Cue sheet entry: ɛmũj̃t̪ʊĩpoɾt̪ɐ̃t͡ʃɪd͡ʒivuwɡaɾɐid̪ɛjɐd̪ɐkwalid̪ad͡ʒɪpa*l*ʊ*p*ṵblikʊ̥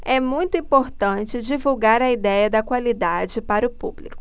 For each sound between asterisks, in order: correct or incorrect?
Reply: incorrect: ɾ, correct

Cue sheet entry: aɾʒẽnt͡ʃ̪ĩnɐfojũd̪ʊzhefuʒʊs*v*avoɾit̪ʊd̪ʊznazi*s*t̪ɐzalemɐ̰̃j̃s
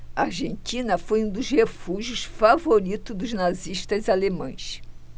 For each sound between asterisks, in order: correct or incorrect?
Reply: incorrect: f, incorrect: ʃ

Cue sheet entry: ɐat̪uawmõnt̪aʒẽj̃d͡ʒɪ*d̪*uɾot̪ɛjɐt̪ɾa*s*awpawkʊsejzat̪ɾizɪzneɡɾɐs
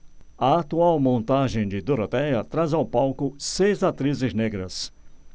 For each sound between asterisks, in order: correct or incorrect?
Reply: correct, incorrect: z

